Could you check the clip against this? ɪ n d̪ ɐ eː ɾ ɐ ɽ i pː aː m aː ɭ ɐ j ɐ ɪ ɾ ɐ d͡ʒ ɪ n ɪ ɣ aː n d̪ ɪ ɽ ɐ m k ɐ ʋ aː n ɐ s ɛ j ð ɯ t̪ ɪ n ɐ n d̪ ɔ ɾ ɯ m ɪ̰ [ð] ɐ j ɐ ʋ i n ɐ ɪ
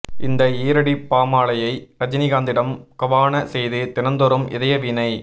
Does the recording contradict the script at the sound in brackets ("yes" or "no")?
no